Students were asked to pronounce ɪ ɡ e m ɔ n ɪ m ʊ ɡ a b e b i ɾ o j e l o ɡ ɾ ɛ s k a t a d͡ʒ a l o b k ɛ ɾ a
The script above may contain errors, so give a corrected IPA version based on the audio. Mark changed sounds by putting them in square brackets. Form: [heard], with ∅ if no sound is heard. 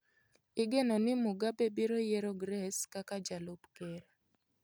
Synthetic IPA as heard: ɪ ɡ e [n] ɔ n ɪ m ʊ ɡ a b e b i ɾ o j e [ɾ] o ɡ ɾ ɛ s k a [k] a d͡ʒ a l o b k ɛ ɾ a